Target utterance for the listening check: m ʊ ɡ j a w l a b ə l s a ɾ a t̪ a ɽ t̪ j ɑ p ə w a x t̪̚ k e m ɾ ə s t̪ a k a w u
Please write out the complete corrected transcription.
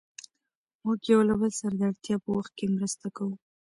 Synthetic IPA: m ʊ ɡ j a w l a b ə l s a ɾ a d̪ a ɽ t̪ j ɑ p ə w a x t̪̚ k e m ɾ ə s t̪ a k a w u

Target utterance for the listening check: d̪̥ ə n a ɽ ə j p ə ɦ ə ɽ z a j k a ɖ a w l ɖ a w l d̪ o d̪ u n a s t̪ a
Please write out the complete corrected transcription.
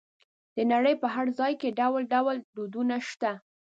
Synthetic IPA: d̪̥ ə n a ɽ ə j p ə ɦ a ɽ z ɑ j k e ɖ a w l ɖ a w l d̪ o d̪ u n a ʃ t̪ a

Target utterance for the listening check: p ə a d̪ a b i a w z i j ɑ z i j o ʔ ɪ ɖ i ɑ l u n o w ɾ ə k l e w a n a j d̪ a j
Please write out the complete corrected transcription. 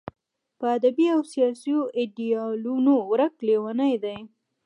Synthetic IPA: p ə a d̪ a b i a w s i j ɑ s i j o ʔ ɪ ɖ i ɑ l u n o w ɾ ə k l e w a n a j d̪ a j

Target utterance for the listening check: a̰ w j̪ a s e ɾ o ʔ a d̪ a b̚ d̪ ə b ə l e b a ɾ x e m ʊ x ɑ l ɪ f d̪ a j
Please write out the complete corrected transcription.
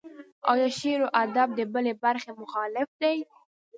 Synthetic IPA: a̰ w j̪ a ʃ e ɾ o ʔ a d̪ a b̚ d̪ ə b ə l e b a ɾ x e m ʊ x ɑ l ɪ f d̪ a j

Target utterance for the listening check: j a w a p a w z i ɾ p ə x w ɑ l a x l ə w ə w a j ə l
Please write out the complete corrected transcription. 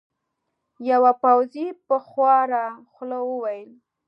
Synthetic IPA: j a w a p a w z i p ə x w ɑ ɾ a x l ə w ə w a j ə l

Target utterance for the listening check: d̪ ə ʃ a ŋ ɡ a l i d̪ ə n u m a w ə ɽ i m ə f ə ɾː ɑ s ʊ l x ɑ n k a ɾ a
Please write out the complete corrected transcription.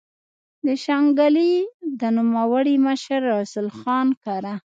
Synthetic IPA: d̪ ə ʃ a ŋ ɡ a l i d̪ ə n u m a w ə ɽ i m ə ʃ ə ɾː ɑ s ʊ l x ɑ n k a ɾ a

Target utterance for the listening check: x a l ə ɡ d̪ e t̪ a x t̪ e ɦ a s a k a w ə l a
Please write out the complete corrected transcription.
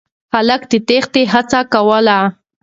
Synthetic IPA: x a l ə k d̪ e t̪ e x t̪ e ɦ a t͡s a k a w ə l a

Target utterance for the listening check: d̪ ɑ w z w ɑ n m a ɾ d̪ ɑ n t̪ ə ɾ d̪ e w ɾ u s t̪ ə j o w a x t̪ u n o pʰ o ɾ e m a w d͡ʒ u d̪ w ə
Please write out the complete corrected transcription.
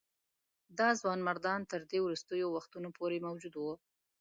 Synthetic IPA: d̪ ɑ z w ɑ n m a ɾ d̪ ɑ n t̪ ə ɾ d̪ e w ɾ u s t̪ ə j o w a x t̪ u n o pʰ o ɾ e m a w d͡ʒ u d̪ w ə

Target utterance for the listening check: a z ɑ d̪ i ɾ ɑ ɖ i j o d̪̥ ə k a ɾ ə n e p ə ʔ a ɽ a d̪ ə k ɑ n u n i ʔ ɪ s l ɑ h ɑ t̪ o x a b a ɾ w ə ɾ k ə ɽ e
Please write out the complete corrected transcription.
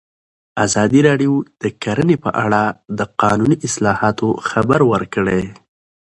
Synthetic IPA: a z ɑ d̪ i ɾ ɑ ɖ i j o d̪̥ ə k a ɾ ə n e p ə ʔ a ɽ a d̪ ə q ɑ n u n i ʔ ɪ s l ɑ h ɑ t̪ o x a b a ɾ w ə ɾ k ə ɽ e

